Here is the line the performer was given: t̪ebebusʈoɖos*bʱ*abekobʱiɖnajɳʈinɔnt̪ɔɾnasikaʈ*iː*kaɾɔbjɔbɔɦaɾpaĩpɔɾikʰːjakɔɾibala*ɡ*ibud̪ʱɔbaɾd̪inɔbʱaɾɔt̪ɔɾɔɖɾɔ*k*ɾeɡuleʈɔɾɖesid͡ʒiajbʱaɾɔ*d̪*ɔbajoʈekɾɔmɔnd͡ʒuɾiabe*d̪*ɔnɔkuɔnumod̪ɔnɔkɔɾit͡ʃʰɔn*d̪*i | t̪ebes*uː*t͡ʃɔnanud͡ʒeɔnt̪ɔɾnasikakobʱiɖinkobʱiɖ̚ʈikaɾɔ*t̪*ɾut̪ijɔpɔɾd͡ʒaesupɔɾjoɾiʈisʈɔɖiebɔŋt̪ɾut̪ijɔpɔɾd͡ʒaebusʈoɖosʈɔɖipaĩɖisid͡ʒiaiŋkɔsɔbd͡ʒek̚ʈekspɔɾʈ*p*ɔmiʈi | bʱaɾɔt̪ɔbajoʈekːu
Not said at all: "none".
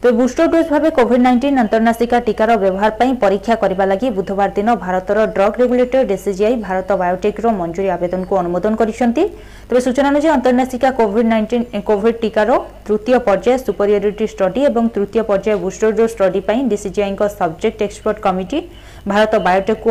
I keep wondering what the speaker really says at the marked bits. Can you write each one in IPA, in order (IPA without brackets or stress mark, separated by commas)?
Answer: bʱ, i, ɡ, ɡ, t̪, d̪, t̪, u, t̪, k